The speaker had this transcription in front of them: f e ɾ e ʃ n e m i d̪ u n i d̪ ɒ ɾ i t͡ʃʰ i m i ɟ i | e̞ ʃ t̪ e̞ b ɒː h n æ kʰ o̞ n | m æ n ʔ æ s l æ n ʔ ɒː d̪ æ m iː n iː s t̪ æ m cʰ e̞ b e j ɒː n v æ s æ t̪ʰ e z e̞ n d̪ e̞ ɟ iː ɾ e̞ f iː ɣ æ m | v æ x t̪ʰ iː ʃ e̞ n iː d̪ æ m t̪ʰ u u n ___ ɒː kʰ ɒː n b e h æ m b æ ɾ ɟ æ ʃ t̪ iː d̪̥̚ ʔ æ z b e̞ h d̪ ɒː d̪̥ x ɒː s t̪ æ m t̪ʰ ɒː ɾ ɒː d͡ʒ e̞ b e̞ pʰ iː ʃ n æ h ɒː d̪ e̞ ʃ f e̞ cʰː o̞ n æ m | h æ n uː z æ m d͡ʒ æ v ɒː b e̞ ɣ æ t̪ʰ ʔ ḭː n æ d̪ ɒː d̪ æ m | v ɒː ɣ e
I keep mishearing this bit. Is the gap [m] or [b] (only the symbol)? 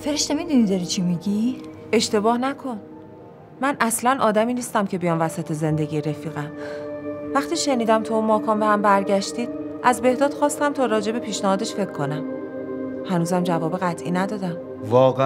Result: m